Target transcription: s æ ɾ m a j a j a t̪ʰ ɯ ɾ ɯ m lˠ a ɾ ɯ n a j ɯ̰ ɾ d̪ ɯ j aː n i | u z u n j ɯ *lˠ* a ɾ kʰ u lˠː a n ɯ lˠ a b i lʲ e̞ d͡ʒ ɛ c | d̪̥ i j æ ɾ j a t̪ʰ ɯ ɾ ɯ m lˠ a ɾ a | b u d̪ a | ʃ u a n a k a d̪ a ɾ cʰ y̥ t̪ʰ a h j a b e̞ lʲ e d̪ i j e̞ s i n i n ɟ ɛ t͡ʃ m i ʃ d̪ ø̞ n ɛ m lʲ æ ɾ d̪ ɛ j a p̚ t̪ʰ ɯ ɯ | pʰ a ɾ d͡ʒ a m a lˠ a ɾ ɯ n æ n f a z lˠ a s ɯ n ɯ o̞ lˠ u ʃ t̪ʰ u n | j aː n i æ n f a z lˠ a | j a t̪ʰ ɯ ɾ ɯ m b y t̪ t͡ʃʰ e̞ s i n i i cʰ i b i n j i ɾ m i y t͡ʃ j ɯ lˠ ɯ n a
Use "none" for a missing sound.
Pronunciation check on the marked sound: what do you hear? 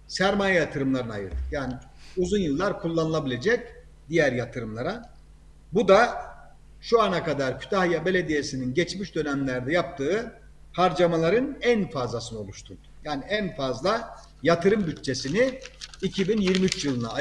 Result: lˠː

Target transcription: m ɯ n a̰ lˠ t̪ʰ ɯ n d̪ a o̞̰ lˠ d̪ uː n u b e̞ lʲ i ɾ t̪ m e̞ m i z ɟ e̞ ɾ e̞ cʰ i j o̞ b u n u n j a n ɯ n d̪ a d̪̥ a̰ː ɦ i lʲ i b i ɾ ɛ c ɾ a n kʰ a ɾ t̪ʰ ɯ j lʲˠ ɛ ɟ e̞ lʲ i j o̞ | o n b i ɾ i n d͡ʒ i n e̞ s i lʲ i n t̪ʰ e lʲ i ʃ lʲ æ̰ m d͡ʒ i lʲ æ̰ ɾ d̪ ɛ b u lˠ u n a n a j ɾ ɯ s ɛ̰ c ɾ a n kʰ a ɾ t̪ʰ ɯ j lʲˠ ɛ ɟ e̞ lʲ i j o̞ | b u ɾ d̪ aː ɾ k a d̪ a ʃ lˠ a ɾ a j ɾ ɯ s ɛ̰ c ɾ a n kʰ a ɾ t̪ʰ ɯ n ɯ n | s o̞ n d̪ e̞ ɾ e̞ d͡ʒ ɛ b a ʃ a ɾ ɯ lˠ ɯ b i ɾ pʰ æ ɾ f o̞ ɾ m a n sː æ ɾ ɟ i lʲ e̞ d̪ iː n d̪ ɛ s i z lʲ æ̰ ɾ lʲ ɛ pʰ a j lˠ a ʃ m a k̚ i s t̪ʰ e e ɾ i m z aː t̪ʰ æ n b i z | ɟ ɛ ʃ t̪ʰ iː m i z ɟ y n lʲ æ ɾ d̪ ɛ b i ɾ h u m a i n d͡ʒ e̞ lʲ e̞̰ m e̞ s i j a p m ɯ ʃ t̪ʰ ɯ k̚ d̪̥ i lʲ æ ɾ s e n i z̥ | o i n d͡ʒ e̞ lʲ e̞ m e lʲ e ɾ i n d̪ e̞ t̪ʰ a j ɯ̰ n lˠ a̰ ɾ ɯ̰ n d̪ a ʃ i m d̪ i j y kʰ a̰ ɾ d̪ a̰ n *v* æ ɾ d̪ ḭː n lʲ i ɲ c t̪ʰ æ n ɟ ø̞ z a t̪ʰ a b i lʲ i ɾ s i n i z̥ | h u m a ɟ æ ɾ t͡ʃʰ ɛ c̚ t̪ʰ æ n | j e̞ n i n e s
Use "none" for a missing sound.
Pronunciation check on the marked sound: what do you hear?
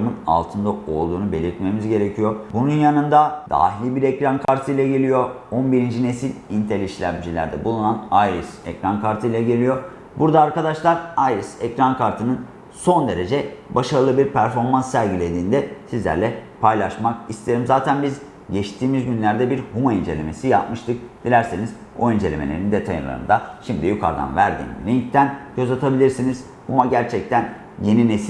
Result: v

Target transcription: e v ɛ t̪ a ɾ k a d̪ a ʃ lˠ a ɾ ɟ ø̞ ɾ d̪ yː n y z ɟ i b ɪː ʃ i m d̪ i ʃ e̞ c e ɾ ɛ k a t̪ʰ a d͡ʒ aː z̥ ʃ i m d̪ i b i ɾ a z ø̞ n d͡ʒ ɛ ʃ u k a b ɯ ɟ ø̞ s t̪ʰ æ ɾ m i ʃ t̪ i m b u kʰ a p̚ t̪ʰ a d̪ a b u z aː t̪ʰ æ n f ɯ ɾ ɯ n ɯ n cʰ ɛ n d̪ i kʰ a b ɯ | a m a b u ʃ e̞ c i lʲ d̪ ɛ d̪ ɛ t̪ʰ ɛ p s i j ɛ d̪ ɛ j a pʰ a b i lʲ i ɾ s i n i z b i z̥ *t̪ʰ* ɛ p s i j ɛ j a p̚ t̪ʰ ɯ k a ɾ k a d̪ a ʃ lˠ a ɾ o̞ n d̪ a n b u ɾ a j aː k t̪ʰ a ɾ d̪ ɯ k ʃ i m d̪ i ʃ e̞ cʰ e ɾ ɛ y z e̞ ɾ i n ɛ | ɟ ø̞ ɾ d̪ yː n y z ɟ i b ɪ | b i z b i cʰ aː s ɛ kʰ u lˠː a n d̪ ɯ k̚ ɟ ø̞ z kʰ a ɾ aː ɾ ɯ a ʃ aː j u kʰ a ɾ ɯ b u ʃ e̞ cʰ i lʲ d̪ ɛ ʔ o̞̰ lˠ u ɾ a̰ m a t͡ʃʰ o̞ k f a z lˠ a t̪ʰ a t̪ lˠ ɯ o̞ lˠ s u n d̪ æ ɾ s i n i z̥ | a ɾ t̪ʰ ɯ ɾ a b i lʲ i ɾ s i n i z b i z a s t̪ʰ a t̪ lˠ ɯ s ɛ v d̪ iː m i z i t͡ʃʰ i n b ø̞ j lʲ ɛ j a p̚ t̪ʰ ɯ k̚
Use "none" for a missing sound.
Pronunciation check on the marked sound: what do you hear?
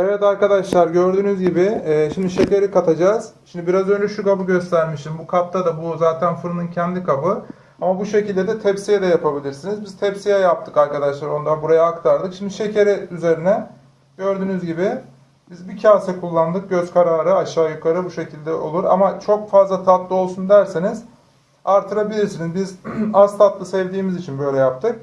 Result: t̪ʰ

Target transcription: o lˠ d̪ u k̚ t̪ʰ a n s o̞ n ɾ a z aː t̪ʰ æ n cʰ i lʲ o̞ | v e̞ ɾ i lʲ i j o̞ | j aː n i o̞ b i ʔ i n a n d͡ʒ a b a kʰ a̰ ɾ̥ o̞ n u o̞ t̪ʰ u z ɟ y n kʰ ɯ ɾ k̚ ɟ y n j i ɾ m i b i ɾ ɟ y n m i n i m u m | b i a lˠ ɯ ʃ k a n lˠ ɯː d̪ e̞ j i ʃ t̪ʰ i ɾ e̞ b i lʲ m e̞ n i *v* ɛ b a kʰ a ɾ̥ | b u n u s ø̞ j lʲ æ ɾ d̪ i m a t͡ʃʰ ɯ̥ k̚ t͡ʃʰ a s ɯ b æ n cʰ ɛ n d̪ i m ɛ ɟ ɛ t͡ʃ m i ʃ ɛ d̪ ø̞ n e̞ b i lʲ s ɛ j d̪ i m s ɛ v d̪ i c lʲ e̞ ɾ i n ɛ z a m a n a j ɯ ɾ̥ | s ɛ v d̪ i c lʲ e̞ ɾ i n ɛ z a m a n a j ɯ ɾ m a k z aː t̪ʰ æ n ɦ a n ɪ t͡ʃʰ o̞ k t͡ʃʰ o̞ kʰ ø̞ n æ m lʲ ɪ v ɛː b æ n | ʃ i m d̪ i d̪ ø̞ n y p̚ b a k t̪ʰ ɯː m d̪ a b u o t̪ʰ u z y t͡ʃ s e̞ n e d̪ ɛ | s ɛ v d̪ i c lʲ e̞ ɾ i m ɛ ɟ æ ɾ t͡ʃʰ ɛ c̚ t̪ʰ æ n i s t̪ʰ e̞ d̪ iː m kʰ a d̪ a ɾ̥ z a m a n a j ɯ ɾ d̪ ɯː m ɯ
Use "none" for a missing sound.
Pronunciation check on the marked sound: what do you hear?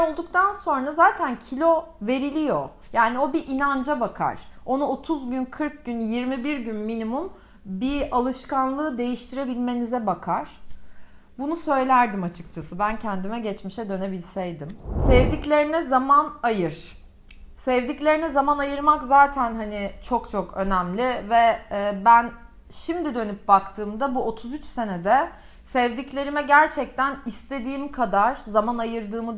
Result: z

